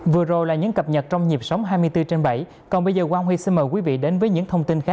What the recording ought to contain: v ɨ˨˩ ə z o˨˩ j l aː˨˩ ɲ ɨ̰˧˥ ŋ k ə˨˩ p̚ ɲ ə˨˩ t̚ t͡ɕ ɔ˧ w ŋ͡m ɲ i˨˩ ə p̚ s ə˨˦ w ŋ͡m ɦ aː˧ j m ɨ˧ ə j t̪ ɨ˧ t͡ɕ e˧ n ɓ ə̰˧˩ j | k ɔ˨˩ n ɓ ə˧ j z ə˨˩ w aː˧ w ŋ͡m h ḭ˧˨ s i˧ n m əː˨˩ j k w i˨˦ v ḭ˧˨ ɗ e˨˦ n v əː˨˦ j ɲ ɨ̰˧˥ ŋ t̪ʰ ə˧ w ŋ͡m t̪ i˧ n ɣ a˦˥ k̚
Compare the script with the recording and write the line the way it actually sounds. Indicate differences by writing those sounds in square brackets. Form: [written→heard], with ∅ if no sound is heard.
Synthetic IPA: v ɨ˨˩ ə z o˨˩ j l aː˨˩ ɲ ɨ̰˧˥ ŋ k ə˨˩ p̚ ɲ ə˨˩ t̚ t͡ɕ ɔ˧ w ŋ͡m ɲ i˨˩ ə p̚ s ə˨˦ w ŋ͡m ɦ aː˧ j m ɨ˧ ə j t̪ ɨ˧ t͡ɕ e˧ n ɓ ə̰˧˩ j | k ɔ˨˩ n ɓ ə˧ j z [ə˨˩→əː˨˩] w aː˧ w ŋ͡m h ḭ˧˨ s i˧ n m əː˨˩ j k w i˨˦ v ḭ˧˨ ɗ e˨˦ n v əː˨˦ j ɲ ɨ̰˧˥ ŋ t̪ʰ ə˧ w ŋ͡m t̪ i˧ n [ɣ→x] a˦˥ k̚